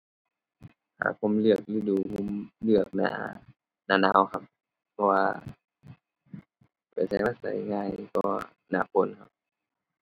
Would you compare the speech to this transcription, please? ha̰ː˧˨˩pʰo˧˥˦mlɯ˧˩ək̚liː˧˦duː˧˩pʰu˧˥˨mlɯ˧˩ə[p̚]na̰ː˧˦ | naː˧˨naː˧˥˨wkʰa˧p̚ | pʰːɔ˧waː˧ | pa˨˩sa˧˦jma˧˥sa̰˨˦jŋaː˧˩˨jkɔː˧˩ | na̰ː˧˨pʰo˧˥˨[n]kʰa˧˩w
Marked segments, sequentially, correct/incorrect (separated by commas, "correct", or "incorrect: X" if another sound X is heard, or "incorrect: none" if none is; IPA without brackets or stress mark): incorrect: k̚, correct